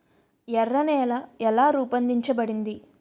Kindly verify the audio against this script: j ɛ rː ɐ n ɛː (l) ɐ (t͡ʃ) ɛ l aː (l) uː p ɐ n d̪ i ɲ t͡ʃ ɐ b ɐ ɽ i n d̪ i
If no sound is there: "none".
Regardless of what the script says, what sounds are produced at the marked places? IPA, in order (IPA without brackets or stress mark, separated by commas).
l, none, ɾ